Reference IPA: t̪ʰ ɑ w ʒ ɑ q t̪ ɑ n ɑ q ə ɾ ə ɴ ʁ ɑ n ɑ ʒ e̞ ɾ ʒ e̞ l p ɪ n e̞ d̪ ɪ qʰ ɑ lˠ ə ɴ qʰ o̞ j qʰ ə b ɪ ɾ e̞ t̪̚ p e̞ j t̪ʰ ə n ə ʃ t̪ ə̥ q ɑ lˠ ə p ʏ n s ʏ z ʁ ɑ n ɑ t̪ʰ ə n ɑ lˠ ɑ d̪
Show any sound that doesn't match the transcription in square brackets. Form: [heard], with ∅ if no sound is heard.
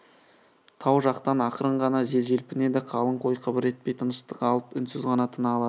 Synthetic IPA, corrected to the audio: t̪ʰ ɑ w ʒ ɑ q t̪ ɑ n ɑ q ə ɾ ə ɴ ʁ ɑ n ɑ ʒ e̞ [l] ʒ e̞ l p ɪ n e̞ d̪ ɪ qʰ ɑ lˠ ə ɴ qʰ o̞ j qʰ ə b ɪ ɾ e̞ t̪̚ p e̞ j t̪ʰ ə n ə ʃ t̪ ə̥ q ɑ lˠ ə p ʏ n s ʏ z ʁ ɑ n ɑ t̪ʰ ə n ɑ lˠ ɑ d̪